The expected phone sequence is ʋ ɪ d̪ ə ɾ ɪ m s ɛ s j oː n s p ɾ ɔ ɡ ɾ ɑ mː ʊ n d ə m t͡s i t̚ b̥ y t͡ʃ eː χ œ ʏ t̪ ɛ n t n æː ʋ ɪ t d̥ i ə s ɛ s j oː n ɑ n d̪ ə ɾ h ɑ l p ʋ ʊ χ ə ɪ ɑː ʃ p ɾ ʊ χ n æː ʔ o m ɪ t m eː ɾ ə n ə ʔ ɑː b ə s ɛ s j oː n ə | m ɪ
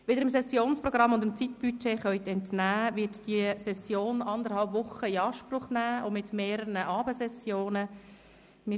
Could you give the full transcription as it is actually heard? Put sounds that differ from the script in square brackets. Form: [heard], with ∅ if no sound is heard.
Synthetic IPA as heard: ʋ ɪ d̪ ə ɾ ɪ m s ɛ s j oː n s p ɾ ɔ ɡ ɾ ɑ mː ʊ n d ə m t͡s i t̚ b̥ y t͡ʃ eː χ œ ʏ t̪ ɛ n t n æː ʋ ɪ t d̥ i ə s ɛ s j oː n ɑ n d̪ ə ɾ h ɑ l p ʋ ʊ χ ə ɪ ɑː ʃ p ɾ ʊ χ n æː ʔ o m ɪ t m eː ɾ ə n ə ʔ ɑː b ə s ɛ s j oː n ə | m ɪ